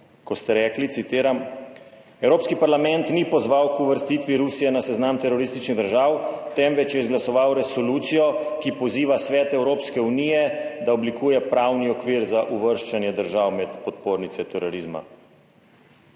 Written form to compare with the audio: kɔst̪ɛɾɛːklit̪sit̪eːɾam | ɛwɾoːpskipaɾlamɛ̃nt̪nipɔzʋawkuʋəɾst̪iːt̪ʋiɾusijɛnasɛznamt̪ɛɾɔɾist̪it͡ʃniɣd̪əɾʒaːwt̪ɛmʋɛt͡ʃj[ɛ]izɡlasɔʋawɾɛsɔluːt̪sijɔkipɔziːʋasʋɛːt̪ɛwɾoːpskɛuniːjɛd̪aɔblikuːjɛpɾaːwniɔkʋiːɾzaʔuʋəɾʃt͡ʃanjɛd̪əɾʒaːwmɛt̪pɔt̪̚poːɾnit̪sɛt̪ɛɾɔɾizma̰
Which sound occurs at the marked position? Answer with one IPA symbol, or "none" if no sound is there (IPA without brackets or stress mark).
ɛ